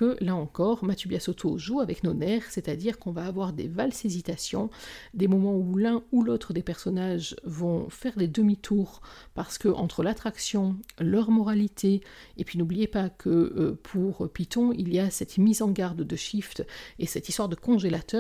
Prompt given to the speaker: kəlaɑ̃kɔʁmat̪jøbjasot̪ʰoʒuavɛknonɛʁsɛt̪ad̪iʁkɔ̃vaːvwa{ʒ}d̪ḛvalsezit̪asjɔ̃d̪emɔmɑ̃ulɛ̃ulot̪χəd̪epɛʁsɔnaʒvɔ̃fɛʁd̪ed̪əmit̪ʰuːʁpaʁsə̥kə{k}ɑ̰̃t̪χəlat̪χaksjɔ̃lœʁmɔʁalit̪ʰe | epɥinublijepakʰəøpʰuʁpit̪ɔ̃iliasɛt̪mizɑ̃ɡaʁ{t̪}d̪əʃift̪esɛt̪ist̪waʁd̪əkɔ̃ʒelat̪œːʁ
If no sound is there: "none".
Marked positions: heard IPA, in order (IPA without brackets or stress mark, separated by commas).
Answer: ʁ, ʔ, d̪